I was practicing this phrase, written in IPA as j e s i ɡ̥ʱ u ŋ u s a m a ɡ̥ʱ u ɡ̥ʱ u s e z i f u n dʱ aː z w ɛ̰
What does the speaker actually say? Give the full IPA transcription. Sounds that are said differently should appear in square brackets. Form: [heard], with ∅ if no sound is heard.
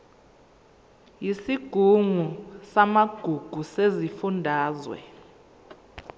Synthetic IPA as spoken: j [i] s i ɡ̥ʱ u ŋ u s a m a ɡ̥ʱ u ɡ̥ʱ u s e z i f u n dʱ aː z w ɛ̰

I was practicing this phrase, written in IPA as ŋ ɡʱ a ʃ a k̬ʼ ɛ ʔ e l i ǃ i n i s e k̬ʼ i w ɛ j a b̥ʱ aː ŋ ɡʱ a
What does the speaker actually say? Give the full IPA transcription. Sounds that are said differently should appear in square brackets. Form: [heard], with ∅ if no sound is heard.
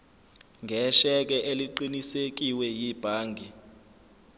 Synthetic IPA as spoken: ŋ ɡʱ [ɛ] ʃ [ɛ] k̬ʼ ɛ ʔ e l i ǃ i n i s e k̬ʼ i w ɛ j [i] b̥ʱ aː ŋ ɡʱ [i]

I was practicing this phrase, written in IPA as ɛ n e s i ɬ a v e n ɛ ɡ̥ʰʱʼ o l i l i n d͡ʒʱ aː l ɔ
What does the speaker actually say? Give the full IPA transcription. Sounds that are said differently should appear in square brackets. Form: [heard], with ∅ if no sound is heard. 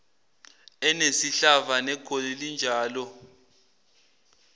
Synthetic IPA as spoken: ɛ n e s i ɬ a v [a] n ɛ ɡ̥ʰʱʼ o l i l i n d͡ʒʱ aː l ɔ

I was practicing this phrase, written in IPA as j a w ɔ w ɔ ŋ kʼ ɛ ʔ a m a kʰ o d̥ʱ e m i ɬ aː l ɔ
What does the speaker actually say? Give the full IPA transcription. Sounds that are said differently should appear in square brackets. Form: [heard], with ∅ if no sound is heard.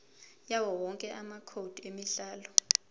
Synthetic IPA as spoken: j a w ɔ w ɔ ŋ kʼ ɛ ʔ a m a kʰ o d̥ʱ e m i ɬ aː l ɔ

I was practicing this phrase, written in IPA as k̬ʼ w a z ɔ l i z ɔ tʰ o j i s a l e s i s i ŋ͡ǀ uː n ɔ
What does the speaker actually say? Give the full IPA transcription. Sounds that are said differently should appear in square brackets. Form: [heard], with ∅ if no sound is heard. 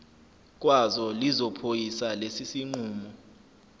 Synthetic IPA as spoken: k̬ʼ w a z ɔ l i z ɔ [pʰ] o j i s a l e s i s i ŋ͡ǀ uː [m] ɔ

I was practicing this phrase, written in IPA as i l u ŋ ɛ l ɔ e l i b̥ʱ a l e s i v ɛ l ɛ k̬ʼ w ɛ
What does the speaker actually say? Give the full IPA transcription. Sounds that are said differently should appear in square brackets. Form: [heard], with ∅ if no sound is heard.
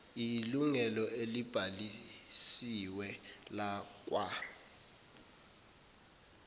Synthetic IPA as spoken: i l u ŋ ɛ l ɔ e l i b̥ʱ a l [i] s i [w] ɛ l [a] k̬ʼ w [a]

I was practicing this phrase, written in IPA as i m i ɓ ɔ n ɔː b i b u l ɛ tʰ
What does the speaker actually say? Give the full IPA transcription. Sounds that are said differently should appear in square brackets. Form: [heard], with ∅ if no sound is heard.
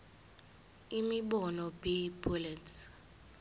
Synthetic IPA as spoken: i m i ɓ ɔ n [ɔ] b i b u l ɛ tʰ

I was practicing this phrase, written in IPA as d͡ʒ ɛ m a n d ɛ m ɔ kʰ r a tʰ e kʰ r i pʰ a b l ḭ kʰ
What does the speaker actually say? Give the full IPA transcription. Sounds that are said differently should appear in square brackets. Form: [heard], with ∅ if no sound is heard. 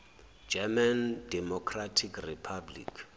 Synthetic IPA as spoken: d͡ʒ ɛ m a n d ɛ m ɔ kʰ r a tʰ [i] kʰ r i pʰ a b l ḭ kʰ

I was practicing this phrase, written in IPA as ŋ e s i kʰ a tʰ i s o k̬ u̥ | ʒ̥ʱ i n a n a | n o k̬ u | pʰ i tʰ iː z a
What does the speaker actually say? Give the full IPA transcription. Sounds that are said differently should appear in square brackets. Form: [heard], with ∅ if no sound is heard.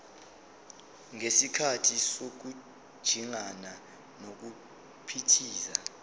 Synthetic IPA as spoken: ŋ e s i kʰ a tʰ i s o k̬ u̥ | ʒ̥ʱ i [ŋ] a n a | n o k̬ u | pʰ i tʰ iː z a

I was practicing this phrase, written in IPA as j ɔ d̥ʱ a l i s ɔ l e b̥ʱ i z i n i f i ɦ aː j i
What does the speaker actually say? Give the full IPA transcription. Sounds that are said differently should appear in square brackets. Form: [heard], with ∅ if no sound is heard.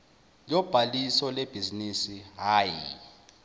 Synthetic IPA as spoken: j ɔ [b̥ʱ] a l i s ɔ l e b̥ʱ i z i n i [s] i ɦ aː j i

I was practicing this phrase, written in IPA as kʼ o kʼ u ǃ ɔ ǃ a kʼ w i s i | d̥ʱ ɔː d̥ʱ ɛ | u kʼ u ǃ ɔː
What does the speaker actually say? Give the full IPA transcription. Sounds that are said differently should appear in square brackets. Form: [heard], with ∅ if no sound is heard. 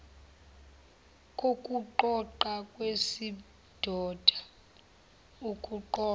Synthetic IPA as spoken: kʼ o kʼ u ǃ ɔ ǃ a kʼ w [e] s i | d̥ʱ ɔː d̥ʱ [a] | u kʼ u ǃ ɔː

